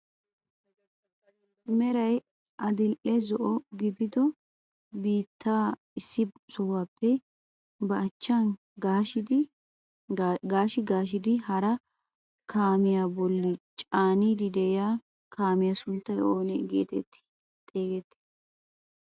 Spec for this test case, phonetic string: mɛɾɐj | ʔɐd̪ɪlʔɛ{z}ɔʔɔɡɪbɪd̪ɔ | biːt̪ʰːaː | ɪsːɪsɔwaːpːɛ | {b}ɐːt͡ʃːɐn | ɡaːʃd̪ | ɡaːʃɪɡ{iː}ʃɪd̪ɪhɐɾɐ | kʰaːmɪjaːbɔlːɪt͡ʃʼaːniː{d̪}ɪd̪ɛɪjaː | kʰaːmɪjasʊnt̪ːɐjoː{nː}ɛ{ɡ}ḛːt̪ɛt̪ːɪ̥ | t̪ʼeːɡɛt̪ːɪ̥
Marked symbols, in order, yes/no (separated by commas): yes, yes, no, yes, no, yes